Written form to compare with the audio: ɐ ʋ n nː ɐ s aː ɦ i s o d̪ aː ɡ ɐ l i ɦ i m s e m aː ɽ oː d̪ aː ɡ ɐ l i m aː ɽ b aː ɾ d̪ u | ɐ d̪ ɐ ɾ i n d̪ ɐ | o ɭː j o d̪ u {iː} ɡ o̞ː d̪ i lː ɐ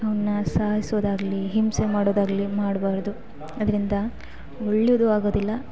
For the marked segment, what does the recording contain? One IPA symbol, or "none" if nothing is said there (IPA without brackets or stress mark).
aː